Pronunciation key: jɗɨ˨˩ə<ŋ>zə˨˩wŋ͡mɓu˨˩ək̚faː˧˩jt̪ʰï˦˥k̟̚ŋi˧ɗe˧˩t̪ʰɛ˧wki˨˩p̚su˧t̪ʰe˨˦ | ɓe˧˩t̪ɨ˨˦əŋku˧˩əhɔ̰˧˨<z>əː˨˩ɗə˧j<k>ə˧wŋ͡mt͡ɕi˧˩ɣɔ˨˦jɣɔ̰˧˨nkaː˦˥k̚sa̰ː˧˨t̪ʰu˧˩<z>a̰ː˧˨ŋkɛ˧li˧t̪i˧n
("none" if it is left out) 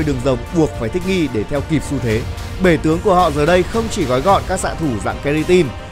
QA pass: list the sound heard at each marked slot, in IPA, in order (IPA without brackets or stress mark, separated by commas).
ŋ, z, x, z